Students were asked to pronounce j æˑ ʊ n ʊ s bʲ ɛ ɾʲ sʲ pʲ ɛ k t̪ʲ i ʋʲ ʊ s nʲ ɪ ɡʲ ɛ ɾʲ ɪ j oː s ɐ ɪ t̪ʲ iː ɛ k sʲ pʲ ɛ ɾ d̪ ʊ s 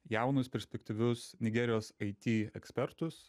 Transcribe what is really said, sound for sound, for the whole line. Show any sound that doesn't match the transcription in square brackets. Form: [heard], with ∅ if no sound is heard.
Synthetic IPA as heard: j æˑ ʊ n ʊ s [pʲ] ɛ ɾʲ sʲ pʲ ɛ k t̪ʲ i ʋʲ ʊ s nʲ ɪ ɡʲ ɛ ɾʲ ɪ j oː s ɐ ɪ t̪ʲ iː ɛ k sʲ pʲ ɛ ɾ [t̪] ʊ s